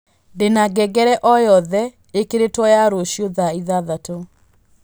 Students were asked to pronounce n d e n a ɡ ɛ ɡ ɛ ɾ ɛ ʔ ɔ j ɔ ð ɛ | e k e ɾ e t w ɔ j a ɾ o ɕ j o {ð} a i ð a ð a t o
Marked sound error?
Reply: no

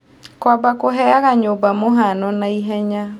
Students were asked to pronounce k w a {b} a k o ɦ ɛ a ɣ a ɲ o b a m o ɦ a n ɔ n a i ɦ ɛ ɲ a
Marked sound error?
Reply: no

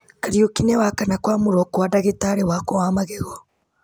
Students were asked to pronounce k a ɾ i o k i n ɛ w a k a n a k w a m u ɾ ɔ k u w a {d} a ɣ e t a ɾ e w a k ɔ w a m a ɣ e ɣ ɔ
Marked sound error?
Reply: no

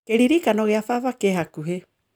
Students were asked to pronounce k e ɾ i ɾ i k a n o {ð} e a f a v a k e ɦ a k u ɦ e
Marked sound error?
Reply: yes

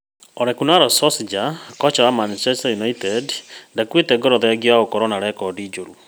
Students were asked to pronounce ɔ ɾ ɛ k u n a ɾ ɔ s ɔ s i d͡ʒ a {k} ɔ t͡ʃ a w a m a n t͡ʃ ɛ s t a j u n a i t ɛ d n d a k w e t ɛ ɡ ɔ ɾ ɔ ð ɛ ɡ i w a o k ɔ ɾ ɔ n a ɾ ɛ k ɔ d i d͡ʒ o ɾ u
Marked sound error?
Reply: no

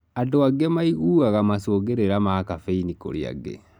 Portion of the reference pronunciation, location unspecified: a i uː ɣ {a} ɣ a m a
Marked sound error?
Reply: no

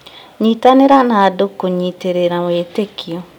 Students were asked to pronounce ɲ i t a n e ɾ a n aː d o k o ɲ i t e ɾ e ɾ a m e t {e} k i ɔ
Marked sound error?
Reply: no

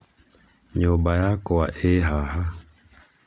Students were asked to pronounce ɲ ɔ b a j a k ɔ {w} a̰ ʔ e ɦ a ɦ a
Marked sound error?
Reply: no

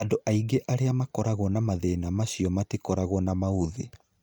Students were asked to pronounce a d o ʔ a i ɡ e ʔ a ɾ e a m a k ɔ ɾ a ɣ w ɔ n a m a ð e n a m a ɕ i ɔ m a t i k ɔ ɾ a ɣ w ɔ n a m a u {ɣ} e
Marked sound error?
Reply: yes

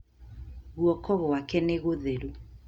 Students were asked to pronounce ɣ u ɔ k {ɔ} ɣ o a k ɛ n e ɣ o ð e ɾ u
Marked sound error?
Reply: no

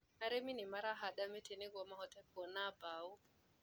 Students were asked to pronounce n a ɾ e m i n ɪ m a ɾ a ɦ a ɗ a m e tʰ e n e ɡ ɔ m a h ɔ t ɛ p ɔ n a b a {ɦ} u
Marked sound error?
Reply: yes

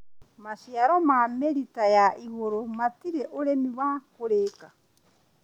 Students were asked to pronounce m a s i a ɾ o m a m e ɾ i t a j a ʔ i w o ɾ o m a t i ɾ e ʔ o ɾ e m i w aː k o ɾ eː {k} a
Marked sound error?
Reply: no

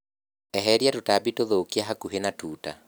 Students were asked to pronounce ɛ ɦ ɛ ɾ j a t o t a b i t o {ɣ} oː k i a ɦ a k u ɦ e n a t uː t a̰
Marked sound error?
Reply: yes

